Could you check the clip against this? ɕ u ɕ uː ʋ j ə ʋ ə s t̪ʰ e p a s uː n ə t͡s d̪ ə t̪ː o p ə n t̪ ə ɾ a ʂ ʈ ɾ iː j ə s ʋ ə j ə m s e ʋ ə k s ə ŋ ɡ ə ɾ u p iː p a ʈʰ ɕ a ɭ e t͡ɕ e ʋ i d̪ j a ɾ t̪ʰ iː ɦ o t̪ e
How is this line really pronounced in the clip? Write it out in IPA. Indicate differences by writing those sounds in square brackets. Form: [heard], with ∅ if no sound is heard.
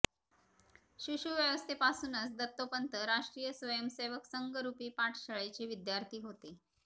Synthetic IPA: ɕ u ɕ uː ʋ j ə ʋ ə s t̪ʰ e p a s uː n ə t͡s d̪ ə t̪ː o p ə n t̪ ə ɾ a ʂ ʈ ɾ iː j ə s ʋ ə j ə m s e ʋ ə k s ə ŋ ɡ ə ɾ u p iː p a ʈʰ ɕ [ə] ɭ e t͡ɕ e ʋ i d̪ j a ɾ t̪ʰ iː ɦ o t̪ e

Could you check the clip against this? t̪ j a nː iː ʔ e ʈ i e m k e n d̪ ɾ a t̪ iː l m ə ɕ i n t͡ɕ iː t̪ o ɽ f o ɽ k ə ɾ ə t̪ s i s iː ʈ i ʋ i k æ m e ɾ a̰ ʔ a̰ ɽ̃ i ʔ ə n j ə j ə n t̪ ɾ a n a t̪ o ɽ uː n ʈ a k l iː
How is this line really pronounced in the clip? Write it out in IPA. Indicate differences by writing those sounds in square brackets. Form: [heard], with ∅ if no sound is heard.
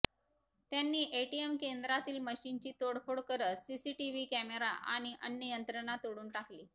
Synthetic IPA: t̪ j a nː iː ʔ e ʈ i e m k e n d̪ ɾ a t̪ iː l m ə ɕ i n t͡ɕ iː t̪ o ɽ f o ɽ k ə ɾ ə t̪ s i s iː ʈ i ʋ i k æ m e ɾ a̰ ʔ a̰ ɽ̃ i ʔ ə n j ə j ə n t̪ ɾ [ə] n a t̪ o ɽ uː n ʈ a k l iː

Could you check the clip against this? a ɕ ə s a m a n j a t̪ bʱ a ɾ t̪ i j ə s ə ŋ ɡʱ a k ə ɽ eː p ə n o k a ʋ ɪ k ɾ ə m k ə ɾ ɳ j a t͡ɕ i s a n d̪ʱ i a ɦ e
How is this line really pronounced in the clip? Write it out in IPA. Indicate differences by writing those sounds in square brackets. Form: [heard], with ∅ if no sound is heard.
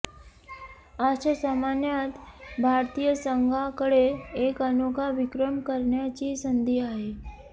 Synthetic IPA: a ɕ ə s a m a n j a t̪ bʱ a ɾ t̪ i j ə s ə ŋ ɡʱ a k ə ɽ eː [k] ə n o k a ʋ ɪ k ɾ ə m k ə ɾ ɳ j a t͡ɕ i s [ə] n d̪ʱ i a ɦ e

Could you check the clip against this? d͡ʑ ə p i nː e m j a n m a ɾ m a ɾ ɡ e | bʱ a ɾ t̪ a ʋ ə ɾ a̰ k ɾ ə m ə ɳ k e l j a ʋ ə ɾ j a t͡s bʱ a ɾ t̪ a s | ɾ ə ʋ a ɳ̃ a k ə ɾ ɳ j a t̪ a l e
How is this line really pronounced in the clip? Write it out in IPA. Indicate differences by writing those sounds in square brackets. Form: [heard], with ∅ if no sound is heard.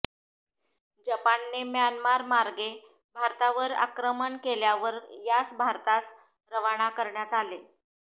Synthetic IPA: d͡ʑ ə p [a] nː e m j a n m a ɾ m a ɾ ɡ e | bʱ a ɾ t̪ a ʋ ə ɾ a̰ k ɾ ə m ə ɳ k e l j a ʋ ə ɾ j a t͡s bʱ a ɾ t̪ a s | ɾ ə ʋ a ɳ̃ a k ə ɾ ɳ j a t̪ a l e

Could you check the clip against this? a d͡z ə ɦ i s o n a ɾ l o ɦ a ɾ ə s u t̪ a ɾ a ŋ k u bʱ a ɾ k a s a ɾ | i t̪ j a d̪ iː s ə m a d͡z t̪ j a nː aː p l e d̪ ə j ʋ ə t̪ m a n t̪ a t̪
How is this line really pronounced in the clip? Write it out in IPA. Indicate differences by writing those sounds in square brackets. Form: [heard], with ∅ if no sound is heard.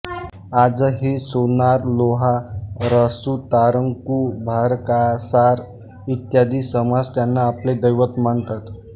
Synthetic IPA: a d͡z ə ɦ i s o n a ɾ l o ɦ a ɾ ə s u t̪ a ɾ [ə] ŋ k u bʱ a ɾ k a s a ɾ | i t̪ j a d̪ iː s ə m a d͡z t̪ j a nː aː p l e d̪ ə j ʋ ə t̪ m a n t̪ a t̪

